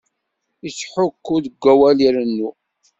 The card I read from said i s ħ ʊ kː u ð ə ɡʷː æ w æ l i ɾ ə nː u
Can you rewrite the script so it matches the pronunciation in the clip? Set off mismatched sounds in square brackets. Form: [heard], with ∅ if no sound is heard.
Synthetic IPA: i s ħ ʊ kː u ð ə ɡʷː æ w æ l i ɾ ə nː u